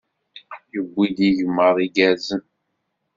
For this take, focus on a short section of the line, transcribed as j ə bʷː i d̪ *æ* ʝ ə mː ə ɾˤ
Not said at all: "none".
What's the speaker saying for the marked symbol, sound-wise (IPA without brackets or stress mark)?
i